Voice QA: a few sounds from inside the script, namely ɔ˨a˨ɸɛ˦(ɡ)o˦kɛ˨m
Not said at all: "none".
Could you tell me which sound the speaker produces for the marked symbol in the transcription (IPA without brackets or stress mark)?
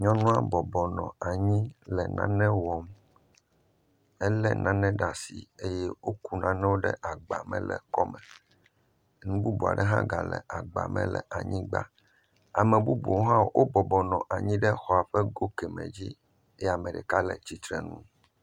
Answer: ɡ